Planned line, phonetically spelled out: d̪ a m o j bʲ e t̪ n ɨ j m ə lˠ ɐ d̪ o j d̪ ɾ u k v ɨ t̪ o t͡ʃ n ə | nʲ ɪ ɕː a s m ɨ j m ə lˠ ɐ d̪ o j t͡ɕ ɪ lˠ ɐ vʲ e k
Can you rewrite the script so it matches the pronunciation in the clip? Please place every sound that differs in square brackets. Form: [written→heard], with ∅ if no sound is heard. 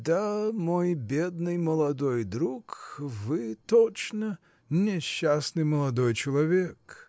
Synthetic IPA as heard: d̪ a m o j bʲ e [t̪→d̪] n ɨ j m ə lˠ ɐ d̪ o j d̪ ɾ u k v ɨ t̪ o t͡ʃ n ə | nʲ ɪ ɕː a s [m→n] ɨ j m ə lˠ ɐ d̪ o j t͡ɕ ɪ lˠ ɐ vʲ e k